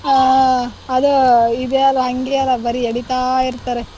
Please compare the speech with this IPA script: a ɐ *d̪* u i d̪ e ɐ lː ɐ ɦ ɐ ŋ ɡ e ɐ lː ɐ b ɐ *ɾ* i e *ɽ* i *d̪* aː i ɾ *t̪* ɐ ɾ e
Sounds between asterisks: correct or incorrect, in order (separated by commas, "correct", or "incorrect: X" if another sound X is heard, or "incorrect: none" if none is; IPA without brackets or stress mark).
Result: correct, correct, correct, incorrect: t̪, correct